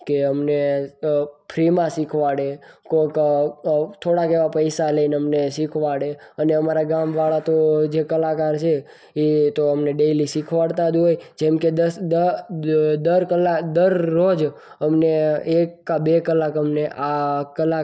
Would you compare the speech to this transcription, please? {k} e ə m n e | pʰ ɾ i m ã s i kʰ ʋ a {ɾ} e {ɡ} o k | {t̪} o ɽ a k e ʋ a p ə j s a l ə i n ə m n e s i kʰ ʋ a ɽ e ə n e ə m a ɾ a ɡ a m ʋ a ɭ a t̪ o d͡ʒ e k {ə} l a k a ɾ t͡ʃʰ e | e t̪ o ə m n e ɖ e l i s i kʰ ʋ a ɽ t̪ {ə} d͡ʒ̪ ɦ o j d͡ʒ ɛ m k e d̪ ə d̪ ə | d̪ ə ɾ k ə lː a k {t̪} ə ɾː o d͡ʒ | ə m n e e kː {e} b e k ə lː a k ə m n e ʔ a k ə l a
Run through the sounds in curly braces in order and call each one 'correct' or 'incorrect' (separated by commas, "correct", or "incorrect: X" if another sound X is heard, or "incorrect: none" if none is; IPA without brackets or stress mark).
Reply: correct, incorrect: ɽ, incorrect: k, incorrect: t̪ʰ, correct, incorrect: a, incorrect: d̪, incorrect: a